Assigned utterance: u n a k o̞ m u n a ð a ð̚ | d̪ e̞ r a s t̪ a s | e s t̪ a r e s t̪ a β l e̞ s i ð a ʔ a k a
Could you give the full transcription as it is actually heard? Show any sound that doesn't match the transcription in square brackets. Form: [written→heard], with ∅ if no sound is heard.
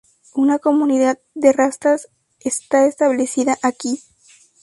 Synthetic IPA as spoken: u n a k o̞ m u n [a→i] ð a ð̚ | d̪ e̞ r a s t̪ a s | e s t̪ a [r→∅] e s t̪ a β l e̞ s i ð a ʔ a k [a→i]